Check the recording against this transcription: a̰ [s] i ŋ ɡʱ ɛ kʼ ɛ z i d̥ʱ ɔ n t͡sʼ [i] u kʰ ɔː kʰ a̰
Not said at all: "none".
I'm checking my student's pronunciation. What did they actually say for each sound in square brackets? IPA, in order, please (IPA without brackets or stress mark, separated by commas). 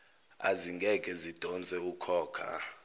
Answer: z, ɛ